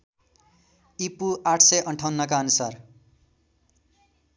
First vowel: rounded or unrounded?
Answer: unrounded